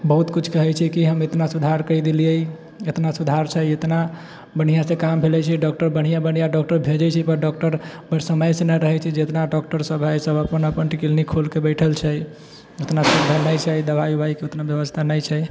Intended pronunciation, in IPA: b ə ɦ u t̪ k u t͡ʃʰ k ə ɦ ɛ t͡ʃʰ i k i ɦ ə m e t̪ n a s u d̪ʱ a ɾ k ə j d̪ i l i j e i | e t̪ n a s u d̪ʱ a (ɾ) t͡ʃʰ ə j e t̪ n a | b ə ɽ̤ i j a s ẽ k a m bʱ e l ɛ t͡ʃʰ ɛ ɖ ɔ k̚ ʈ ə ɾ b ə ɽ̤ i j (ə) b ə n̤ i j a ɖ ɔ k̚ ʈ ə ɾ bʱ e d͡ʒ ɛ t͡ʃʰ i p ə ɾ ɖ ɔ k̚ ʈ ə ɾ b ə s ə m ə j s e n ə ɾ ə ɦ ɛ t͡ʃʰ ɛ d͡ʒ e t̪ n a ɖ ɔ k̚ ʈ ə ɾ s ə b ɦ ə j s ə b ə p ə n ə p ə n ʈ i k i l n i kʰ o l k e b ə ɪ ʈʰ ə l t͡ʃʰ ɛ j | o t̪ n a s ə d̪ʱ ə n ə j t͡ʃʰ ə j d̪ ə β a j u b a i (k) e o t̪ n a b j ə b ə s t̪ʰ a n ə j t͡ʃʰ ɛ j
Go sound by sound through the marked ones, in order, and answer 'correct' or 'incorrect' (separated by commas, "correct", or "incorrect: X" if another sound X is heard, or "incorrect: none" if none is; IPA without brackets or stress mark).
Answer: correct, incorrect: a, correct